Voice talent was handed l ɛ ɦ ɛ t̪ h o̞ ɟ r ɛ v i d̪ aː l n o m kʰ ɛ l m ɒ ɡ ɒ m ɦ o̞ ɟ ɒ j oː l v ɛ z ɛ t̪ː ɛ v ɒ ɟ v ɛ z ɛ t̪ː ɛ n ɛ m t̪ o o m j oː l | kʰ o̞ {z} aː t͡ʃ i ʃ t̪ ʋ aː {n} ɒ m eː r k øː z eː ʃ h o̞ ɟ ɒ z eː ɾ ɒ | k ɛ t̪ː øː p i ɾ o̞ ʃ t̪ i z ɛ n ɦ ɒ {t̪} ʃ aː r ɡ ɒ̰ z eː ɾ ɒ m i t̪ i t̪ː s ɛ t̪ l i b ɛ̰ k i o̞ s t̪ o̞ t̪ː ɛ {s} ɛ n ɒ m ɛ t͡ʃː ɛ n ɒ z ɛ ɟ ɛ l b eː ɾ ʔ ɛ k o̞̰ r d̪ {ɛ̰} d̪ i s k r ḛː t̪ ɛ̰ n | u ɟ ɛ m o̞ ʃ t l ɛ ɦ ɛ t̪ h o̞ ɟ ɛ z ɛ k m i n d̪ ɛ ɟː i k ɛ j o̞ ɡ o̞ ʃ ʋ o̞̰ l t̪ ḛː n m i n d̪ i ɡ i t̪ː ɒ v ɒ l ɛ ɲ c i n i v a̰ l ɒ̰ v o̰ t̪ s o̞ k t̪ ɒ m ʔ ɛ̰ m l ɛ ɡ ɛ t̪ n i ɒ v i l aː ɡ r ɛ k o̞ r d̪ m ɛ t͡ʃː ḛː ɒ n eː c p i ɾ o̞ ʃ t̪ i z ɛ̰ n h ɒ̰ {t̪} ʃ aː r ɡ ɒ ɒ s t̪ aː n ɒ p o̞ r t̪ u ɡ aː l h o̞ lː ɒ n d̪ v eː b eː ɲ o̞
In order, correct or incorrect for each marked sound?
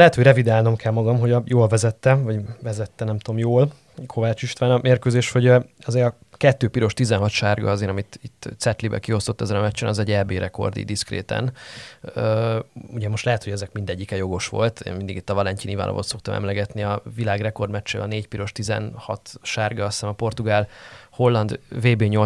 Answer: incorrect, correct, correct, incorrect, incorrect, correct

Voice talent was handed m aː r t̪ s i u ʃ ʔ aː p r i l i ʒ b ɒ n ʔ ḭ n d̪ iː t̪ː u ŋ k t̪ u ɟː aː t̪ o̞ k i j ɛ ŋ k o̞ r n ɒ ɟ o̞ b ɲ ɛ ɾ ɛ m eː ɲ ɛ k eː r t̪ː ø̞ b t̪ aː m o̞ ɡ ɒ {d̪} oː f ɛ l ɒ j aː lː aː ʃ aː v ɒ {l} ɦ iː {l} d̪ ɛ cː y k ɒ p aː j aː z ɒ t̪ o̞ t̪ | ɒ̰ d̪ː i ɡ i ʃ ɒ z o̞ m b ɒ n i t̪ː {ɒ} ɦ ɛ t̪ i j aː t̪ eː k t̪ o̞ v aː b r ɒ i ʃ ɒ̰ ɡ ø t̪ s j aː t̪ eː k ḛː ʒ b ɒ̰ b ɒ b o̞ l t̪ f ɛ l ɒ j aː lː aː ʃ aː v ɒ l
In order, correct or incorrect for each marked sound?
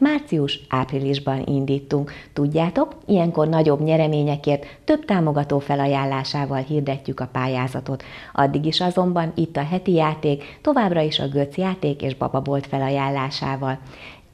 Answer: incorrect, correct, incorrect, correct

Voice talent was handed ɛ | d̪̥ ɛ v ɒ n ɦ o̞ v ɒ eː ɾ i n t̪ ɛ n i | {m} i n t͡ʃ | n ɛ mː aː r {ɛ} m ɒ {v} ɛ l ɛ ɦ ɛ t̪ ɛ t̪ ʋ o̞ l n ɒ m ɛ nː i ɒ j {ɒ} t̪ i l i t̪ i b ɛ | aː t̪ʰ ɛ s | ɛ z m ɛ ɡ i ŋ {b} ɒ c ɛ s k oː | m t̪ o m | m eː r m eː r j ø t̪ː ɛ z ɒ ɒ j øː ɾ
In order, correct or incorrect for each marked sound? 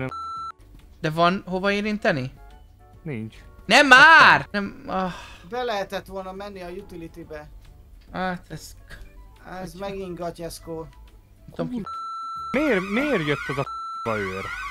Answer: incorrect, correct, incorrect, incorrect, incorrect

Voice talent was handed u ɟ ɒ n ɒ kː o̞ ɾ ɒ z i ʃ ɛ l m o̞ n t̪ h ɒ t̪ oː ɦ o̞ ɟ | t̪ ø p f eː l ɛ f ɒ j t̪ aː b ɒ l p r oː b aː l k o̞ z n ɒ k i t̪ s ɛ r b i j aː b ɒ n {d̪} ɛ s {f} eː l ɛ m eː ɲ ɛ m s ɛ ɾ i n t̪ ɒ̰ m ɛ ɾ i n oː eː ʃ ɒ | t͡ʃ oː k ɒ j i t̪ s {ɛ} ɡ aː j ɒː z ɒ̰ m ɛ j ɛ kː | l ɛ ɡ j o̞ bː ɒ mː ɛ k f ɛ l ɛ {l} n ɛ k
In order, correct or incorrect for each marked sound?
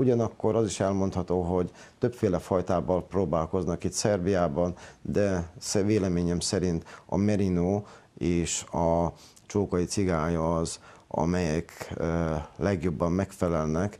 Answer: correct, incorrect, incorrect, correct

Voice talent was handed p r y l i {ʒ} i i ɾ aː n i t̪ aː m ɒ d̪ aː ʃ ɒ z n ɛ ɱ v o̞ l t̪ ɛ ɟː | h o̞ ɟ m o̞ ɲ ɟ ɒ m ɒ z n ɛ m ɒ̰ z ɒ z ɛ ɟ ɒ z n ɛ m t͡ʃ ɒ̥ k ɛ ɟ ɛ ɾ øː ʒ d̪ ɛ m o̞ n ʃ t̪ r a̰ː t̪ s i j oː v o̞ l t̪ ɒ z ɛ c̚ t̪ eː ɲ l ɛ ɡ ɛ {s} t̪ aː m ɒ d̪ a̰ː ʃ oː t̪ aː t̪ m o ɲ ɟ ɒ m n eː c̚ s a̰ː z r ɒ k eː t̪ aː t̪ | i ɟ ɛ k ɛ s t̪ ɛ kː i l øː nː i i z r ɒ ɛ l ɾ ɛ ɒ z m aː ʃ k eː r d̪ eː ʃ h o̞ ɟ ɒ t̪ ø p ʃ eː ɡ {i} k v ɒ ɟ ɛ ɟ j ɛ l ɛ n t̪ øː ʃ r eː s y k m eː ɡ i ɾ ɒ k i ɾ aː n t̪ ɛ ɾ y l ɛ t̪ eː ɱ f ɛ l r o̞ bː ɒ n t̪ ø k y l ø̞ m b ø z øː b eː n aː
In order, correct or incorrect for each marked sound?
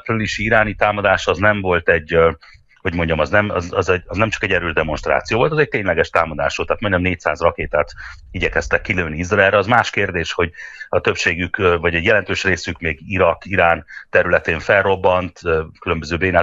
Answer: incorrect, incorrect, incorrect

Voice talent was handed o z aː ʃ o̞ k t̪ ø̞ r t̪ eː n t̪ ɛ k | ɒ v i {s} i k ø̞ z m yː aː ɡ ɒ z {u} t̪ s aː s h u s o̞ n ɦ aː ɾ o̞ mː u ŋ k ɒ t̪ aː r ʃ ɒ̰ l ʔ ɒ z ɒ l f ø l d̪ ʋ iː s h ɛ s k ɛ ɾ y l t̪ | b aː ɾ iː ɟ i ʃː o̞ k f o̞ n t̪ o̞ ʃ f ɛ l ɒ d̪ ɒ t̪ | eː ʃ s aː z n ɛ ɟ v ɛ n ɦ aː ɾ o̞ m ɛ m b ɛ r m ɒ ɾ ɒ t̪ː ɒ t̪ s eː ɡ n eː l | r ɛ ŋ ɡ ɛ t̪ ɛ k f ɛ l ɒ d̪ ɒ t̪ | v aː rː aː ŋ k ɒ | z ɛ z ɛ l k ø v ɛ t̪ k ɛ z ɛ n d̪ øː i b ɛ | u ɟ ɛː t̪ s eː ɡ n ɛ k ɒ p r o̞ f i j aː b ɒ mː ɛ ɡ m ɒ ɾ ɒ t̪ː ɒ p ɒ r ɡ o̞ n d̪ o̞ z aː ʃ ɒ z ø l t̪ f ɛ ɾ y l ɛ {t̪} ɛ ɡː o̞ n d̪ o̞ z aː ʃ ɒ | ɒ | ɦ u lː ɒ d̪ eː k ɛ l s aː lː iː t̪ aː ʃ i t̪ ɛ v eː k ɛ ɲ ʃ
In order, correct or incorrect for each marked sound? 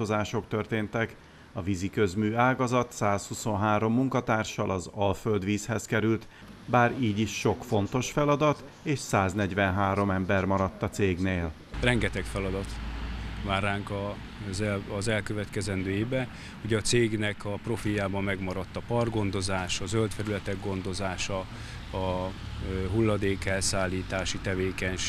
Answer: incorrect, incorrect, correct

